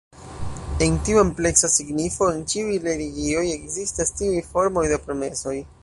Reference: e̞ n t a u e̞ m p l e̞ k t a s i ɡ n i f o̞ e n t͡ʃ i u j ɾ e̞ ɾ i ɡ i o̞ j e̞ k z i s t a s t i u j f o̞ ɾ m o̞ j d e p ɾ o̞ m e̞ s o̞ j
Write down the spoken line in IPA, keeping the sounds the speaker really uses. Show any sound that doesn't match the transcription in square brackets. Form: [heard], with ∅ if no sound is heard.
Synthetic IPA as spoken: e̞ n t [i] u e̞ m p l e̞ k [s] a s i ɡ n i f o̞ e n t͡ʃ i u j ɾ e̞ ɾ i ɡ i o̞ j e̞ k z i s t a s t i u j f o̞ ɾ m o̞ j d e p ɾ o̞ m e̞ s o̞ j